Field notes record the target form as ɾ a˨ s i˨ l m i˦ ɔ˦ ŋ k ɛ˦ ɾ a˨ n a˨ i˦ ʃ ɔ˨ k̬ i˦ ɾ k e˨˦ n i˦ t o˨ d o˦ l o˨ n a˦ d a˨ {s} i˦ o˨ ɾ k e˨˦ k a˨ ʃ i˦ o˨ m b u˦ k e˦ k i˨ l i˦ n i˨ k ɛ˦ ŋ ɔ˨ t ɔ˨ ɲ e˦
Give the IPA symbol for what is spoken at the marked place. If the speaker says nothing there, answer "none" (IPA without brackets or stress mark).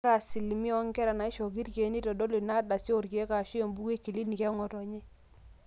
s